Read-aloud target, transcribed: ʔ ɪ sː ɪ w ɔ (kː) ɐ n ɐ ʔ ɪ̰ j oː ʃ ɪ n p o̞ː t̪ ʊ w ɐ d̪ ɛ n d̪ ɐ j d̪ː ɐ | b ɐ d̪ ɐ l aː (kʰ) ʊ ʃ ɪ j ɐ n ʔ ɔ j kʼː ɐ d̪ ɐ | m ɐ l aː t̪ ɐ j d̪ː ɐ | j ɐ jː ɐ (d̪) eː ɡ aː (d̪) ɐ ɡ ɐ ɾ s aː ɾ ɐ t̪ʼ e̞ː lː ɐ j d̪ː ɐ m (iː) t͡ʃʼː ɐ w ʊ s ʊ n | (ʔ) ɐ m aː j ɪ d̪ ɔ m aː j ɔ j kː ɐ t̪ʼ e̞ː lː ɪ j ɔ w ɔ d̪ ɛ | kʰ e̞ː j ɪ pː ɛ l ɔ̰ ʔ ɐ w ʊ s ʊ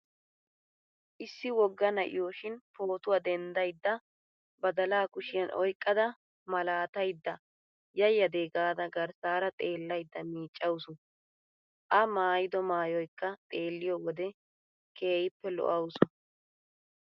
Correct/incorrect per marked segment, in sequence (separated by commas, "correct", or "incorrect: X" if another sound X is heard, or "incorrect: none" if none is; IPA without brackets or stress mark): incorrect: ɡː, incorrect: k, correct, correct, correct, correct